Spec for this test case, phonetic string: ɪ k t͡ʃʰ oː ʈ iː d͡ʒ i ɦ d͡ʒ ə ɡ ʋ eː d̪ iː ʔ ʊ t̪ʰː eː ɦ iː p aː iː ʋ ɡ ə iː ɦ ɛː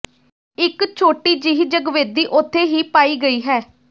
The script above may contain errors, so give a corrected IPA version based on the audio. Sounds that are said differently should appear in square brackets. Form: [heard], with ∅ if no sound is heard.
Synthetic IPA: ɪ k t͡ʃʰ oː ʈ iː d͡ʒ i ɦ d͡ʒ ə ɡ ʋ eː d̪ iː ʔ ʊ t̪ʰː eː ɦ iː p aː iː [∅] ɡ ə iː ɦ ɛː